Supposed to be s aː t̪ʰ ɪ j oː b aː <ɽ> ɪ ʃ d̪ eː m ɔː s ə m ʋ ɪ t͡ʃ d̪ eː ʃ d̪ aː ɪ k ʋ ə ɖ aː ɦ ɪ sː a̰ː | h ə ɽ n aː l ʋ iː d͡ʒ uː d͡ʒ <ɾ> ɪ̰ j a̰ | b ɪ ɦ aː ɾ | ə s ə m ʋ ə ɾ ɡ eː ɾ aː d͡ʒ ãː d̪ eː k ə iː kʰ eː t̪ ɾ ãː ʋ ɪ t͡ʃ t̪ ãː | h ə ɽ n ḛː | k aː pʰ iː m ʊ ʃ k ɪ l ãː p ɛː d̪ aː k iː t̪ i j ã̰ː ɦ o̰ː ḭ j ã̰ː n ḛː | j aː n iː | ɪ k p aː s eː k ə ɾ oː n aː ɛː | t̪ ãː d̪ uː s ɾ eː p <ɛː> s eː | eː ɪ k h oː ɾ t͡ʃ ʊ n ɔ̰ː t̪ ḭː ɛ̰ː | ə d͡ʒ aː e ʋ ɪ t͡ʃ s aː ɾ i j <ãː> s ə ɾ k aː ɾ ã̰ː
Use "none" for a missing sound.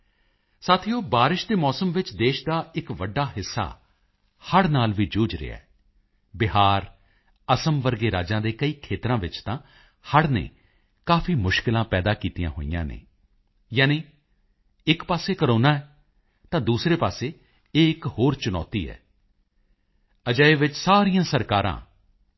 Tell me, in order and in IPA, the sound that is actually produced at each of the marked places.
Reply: ɾ, ɾ, aː, ãː

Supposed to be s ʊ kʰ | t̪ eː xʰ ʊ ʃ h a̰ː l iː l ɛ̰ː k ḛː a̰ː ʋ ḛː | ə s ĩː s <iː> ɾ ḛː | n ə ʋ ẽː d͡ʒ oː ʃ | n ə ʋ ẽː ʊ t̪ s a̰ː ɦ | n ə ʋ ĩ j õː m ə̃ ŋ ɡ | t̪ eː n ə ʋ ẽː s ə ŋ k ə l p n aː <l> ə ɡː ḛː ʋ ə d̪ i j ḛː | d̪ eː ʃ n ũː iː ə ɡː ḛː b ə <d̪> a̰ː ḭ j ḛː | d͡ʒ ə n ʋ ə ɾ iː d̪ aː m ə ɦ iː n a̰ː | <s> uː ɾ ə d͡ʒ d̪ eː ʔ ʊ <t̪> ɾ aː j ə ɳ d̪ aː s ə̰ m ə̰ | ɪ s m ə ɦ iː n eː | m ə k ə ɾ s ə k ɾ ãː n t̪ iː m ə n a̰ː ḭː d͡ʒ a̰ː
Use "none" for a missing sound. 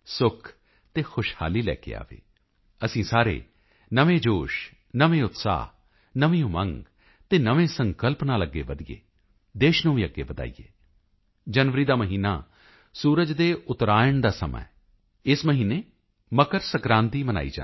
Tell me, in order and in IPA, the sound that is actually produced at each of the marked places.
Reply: aː, l, d̪, s, t̪

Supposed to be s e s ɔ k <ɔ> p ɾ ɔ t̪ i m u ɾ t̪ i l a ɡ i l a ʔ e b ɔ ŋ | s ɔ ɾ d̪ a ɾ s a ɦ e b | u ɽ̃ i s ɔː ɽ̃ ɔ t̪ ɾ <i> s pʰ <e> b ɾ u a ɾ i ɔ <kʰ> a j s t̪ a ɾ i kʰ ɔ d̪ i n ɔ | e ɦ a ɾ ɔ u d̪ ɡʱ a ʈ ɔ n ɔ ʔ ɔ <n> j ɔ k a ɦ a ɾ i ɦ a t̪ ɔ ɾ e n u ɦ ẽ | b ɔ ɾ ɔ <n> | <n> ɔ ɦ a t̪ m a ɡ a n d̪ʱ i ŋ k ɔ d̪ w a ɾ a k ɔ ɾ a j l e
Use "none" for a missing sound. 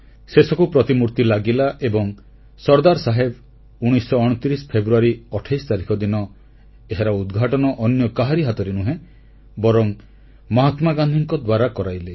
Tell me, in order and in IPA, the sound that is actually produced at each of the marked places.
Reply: u, i, e, ʈʰ, n, ŋ, m

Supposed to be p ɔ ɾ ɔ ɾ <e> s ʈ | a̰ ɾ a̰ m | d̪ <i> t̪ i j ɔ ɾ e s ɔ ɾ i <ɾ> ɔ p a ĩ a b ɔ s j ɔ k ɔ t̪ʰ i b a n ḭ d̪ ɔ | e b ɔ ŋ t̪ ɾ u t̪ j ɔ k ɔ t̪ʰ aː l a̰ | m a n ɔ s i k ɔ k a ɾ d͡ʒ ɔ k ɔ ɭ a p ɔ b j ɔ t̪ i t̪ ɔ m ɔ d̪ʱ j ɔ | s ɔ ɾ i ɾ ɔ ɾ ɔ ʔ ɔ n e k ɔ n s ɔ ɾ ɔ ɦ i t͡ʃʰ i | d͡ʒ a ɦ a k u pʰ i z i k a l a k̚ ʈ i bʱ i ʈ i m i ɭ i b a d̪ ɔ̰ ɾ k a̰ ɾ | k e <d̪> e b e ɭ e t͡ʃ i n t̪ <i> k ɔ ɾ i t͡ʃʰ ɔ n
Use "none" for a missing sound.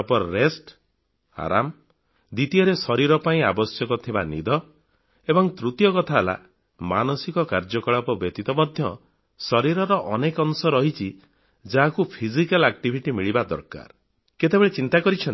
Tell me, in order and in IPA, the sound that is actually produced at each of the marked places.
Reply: e, i, ɾ, t̪, a

